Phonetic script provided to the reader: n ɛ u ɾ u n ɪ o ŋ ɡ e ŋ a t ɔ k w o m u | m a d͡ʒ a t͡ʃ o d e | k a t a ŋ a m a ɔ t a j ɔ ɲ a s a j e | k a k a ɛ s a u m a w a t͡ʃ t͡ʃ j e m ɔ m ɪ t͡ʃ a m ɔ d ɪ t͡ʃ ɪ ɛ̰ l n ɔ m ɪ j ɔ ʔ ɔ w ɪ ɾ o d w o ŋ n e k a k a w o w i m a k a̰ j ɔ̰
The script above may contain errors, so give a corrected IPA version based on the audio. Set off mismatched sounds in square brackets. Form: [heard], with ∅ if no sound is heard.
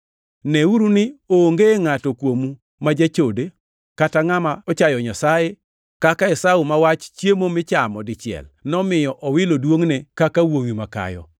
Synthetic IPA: n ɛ u ɾ u n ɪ o ŋ ɡ e ŋ a t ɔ k w o m u | m a d͡ʒ a t͡ʃ o d e | k a t a ŋ a m a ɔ [t͡ʃ] a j ɔ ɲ a s a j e | k a k a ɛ s a u m a w a t͡ʃ t͡ʃ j e m [o] m ɪ t͡ʃ a m ɔ d ɪ t͡ʃ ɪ ɛ̰ l n ɔ m ɪ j ɔ ʔ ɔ w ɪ [l] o d w o ŋ n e k a k a w o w i m a k a̰ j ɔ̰